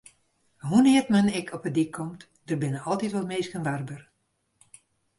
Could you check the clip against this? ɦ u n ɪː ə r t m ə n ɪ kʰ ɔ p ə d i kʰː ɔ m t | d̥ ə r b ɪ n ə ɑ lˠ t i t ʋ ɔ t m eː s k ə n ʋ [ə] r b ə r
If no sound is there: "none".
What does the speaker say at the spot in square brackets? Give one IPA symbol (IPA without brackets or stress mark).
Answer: a